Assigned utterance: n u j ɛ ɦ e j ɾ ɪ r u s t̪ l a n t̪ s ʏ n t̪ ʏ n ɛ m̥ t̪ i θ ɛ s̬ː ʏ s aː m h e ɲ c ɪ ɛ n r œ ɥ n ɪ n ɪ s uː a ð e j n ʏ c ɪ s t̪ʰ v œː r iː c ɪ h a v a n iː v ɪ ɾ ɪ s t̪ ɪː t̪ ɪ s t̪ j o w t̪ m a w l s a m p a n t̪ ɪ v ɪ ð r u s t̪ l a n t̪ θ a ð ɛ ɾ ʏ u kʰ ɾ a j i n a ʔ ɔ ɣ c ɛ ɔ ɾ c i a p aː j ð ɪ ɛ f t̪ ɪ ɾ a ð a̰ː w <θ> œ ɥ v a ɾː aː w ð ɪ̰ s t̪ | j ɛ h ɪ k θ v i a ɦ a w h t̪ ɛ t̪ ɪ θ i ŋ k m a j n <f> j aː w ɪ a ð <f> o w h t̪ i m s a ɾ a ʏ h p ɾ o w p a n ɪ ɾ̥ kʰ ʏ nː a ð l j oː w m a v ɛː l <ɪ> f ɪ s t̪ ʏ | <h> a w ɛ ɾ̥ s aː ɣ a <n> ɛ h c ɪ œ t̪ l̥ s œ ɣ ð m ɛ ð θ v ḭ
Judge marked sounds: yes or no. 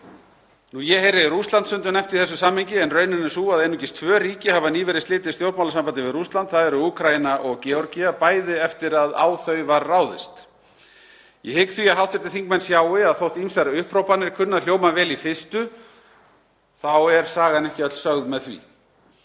yes, no, no, no, no, yes

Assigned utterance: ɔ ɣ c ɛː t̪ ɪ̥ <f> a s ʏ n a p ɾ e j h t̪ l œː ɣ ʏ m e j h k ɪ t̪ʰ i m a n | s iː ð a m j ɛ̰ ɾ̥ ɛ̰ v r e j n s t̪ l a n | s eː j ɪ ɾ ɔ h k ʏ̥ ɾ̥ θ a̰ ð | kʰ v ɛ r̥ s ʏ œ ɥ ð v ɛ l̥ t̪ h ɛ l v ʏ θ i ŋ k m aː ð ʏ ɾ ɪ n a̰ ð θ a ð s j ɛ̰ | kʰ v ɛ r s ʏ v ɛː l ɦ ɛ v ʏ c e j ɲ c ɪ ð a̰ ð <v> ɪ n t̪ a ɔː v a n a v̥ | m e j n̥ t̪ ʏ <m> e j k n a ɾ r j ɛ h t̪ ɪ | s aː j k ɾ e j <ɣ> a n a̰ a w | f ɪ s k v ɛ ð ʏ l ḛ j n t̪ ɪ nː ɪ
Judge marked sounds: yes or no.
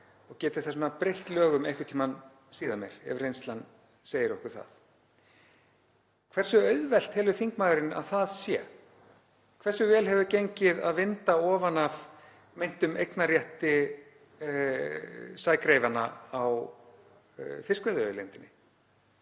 no, yes, yes, no

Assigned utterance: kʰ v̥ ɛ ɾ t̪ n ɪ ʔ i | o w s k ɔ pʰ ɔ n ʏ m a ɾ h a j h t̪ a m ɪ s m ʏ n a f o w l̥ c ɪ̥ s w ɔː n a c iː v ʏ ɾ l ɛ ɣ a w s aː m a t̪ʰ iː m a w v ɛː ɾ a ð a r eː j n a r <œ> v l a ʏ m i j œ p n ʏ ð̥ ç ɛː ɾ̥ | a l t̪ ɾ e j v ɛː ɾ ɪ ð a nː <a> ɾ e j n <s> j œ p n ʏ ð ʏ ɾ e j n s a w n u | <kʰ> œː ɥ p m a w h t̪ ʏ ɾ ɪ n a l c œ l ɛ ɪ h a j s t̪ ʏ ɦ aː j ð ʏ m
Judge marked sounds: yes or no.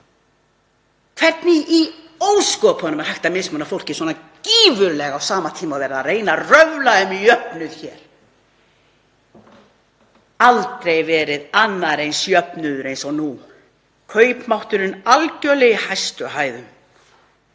yes, yes, yes, yes

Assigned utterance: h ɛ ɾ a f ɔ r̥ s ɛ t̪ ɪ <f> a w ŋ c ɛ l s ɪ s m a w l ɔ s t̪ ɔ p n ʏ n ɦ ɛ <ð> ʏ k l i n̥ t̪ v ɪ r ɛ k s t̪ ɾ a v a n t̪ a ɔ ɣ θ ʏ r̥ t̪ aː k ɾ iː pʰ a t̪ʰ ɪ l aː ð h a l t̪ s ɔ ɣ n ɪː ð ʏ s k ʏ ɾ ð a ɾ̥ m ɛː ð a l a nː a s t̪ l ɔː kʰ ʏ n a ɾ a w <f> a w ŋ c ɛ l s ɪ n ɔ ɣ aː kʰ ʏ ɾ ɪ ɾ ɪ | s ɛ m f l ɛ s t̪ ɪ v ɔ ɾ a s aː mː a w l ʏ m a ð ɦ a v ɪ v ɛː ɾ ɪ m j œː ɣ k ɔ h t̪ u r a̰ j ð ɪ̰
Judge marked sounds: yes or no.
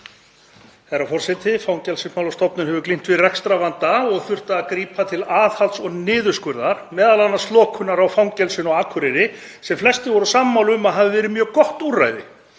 yes, no, yes

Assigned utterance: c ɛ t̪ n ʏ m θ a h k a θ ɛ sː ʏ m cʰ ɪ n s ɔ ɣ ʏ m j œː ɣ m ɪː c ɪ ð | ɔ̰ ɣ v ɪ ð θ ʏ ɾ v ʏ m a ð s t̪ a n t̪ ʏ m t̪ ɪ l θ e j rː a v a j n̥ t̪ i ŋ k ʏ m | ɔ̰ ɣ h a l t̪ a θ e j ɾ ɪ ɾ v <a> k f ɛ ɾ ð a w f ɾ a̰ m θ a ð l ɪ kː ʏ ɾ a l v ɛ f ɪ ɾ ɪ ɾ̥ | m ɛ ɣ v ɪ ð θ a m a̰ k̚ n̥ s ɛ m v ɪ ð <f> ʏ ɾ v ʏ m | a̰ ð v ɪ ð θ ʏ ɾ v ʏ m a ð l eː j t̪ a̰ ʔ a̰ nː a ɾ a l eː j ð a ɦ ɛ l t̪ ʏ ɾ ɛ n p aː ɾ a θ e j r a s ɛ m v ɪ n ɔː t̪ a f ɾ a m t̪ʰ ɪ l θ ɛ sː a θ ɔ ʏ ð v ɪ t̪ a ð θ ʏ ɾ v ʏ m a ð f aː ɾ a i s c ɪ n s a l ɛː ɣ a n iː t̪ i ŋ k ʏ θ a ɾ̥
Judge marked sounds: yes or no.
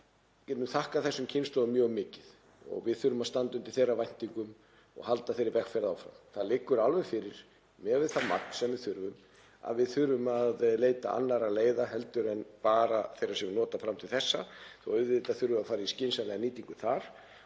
no, no

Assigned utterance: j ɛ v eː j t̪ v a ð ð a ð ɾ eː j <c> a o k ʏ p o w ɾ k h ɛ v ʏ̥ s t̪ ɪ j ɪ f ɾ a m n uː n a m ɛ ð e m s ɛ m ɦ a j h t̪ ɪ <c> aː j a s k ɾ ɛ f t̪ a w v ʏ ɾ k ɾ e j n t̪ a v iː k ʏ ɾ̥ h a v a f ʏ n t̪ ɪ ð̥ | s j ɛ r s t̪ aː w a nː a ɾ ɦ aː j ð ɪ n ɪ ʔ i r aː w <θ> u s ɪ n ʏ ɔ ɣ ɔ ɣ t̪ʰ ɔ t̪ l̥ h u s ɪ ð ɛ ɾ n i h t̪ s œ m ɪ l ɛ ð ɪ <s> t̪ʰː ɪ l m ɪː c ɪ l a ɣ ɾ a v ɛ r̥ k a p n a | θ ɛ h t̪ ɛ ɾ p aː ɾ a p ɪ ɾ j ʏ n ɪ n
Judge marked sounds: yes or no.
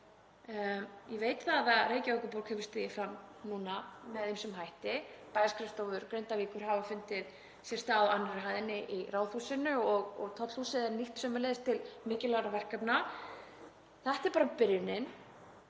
yes, no, yes, yes

